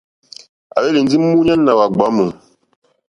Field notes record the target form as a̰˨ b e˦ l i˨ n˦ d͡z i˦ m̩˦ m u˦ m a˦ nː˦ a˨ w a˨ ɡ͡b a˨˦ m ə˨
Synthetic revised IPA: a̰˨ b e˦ l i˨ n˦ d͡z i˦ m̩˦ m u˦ ɲ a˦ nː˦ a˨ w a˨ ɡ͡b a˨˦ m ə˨